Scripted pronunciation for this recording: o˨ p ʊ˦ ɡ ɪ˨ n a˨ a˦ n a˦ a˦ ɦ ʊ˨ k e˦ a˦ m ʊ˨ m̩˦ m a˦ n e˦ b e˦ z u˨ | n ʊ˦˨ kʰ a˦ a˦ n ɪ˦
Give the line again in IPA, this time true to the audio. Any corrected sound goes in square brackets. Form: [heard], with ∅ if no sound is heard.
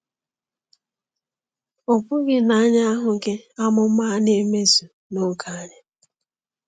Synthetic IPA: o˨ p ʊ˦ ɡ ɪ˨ n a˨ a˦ [ɲ] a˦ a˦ ɦ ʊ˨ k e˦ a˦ m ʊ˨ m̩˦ m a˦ n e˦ [m] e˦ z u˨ | n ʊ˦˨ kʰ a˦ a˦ [ɲ] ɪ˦